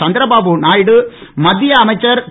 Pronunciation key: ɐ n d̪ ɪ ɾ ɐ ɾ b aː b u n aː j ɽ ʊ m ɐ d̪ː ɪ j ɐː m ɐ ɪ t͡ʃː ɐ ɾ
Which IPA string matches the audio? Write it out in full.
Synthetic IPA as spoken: ɐ n d̪ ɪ ɾ ɐ b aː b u n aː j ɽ ɯ m ɐ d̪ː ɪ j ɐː m ɐ ɪ t͡ʃː ɐ ɾ